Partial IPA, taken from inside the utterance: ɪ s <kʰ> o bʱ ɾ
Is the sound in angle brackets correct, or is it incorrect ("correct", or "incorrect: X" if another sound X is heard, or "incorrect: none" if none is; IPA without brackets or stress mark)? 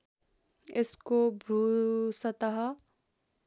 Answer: incorrect: k